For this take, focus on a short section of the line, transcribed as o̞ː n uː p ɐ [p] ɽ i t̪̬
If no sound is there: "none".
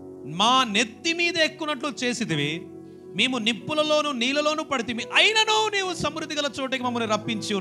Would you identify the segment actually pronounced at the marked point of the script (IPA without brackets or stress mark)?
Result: none